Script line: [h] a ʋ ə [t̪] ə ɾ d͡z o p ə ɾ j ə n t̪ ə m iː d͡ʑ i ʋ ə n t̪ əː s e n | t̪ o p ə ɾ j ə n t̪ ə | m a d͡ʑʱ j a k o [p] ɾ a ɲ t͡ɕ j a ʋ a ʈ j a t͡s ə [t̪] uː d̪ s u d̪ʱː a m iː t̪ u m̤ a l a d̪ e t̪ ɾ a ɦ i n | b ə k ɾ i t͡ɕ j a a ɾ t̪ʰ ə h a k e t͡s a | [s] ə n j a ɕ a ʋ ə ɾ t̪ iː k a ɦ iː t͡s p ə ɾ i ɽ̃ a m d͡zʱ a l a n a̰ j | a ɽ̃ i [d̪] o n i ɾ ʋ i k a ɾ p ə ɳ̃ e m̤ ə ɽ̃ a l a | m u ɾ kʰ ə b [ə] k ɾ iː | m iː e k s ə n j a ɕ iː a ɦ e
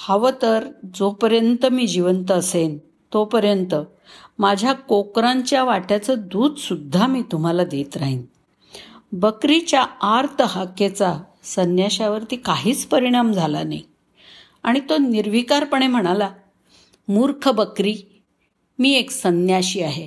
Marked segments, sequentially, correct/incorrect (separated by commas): correct, correct, incorrect, incorrect, correct, incorrect, correct